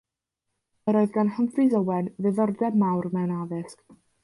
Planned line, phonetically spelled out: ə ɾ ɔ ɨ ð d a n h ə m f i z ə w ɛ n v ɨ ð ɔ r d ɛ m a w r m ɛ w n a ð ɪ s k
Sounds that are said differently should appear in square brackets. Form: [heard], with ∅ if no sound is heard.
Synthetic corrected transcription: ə ɾ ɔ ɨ ð [ɡ] a n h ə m f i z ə w ɛ n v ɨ ð ɔ r d ɛ m a w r m ɛ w n a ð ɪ s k